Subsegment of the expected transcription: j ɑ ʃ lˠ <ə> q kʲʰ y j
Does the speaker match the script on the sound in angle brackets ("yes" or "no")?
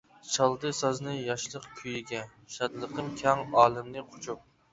yes